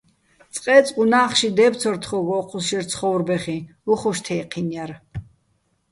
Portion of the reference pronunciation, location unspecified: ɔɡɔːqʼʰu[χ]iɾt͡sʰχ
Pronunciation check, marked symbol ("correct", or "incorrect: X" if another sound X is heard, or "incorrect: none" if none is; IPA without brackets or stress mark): incorrect: ʃ